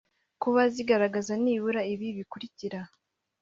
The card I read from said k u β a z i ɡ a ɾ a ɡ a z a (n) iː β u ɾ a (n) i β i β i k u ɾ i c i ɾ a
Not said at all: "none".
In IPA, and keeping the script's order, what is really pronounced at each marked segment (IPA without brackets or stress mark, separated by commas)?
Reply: n, none